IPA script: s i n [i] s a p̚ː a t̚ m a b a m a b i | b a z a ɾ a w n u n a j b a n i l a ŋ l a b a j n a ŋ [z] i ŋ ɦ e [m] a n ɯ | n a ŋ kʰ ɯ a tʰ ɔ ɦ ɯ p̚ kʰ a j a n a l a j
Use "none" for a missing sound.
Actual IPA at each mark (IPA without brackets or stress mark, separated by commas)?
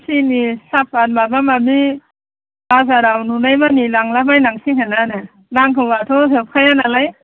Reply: i, s, n